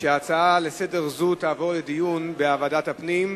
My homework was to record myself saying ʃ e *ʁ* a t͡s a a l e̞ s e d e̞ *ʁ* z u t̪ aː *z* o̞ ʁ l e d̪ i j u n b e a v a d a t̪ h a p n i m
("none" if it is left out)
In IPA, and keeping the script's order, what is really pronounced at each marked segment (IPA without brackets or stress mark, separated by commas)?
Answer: none, ʁ, v